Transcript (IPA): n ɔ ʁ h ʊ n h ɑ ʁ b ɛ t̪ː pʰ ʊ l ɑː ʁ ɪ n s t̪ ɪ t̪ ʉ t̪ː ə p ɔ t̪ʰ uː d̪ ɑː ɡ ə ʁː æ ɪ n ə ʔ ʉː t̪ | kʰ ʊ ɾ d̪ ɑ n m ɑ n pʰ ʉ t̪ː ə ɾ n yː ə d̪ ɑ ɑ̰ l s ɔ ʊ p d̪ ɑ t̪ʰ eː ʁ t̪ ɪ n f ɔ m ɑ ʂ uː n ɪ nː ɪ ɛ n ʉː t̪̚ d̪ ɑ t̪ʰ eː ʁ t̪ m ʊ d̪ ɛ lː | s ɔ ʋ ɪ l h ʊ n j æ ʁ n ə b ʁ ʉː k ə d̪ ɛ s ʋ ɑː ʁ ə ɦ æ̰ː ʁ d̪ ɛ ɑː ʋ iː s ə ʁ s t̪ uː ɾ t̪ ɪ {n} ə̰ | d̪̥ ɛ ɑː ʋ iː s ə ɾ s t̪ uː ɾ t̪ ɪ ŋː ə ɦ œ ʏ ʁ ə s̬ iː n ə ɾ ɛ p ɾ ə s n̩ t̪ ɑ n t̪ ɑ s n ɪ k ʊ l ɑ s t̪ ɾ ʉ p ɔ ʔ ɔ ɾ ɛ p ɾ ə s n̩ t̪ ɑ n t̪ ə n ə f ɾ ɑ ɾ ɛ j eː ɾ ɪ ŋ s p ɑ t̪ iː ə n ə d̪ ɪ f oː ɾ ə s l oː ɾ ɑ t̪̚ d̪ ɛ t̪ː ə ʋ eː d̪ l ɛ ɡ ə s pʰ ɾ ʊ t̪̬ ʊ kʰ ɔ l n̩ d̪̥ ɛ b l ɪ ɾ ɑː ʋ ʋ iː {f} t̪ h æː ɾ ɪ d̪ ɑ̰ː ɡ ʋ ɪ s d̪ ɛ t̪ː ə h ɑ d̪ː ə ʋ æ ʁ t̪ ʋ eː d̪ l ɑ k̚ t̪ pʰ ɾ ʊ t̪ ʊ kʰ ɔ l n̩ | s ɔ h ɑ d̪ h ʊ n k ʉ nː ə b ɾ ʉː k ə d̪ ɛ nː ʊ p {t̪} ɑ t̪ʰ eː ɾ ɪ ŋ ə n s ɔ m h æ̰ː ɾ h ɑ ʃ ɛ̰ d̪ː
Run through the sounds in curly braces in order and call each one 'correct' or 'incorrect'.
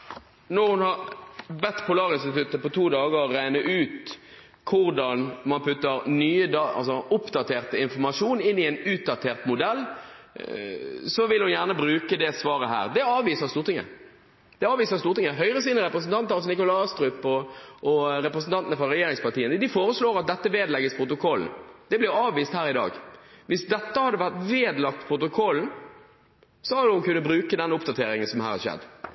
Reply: incorrect: ŋ, incorrect: s, incorrect: d̪

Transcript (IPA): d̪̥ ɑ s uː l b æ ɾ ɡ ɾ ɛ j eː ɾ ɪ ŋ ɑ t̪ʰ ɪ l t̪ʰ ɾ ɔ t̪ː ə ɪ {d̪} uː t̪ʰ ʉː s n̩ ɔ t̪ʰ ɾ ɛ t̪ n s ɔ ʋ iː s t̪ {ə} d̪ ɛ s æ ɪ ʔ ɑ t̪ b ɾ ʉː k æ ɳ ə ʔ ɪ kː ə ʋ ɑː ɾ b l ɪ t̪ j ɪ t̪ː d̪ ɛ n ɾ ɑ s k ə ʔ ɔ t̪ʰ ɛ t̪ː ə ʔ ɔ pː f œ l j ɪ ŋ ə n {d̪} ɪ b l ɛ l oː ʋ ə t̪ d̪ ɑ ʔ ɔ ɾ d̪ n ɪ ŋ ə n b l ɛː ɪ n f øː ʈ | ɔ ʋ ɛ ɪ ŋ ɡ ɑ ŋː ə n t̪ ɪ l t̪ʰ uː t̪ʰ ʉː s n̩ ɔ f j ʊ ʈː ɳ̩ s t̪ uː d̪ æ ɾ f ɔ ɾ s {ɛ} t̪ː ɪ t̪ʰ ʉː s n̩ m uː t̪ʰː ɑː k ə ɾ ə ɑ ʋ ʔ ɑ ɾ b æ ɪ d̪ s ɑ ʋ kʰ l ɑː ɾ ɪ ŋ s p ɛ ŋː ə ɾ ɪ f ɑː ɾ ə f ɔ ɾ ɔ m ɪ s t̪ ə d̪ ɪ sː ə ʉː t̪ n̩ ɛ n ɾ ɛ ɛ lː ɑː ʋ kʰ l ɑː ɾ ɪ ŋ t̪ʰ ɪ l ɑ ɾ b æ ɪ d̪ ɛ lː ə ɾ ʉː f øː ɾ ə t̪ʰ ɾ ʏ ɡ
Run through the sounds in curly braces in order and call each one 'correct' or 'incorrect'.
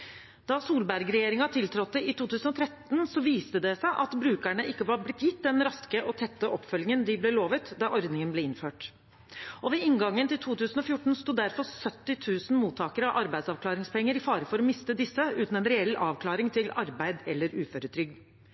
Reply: incorrect: t̪, correct, correct, incorrect: œ

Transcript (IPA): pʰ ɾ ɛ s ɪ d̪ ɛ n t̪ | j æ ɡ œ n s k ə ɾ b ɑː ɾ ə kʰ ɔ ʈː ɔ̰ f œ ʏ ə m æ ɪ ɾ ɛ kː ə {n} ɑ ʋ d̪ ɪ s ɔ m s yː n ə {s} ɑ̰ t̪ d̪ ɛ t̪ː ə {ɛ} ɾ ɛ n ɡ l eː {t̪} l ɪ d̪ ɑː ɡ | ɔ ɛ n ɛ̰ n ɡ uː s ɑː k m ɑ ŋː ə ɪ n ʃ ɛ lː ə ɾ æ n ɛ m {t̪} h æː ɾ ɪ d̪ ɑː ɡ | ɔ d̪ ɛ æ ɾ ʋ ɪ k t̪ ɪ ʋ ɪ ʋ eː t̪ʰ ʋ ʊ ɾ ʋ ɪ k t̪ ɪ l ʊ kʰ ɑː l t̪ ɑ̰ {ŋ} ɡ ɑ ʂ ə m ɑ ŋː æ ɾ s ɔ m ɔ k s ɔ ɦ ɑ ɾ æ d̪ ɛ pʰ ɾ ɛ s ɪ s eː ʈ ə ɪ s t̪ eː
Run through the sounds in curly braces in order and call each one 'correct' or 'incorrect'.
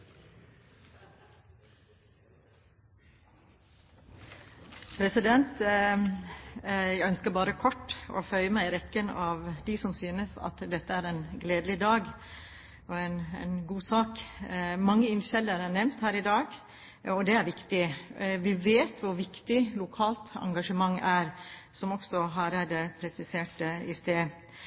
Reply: correct, correct, incorrect: æ, incorrect: d̪, correct, correct

